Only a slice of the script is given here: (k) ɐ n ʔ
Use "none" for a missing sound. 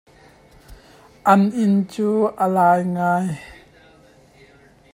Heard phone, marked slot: ʔ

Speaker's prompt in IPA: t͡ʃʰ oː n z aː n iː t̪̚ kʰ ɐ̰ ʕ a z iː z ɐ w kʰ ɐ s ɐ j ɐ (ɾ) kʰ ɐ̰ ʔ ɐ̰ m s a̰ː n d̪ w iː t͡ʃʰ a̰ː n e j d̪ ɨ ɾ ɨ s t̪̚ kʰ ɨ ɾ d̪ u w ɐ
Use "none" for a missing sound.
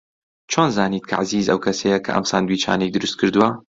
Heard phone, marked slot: none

